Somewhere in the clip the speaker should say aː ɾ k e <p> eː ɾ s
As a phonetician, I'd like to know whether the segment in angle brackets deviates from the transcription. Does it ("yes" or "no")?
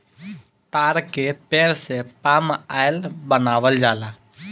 no